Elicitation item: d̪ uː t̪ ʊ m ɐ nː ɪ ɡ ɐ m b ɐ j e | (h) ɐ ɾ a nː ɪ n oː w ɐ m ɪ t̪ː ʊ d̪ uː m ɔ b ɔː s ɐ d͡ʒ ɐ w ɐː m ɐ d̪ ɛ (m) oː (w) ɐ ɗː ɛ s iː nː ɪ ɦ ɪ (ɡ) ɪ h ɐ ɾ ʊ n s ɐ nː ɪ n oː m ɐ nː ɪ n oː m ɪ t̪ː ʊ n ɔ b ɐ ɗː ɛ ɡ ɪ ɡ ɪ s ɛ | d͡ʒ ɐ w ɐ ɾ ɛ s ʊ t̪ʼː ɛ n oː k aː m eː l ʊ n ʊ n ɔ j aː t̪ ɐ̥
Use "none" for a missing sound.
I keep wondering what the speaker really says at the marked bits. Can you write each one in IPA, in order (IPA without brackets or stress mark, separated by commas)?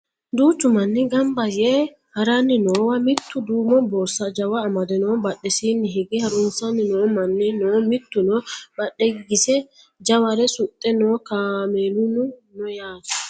h, n, b, ɡ